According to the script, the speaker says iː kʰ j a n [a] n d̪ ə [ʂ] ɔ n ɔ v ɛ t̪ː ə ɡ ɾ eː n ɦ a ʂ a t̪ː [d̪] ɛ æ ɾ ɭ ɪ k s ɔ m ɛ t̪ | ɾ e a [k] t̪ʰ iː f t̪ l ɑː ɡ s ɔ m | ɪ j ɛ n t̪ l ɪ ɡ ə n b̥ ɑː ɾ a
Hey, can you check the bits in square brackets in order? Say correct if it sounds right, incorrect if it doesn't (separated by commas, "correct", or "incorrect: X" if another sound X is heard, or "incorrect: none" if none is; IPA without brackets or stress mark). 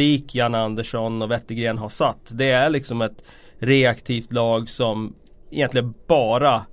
correct, correct, correct, correct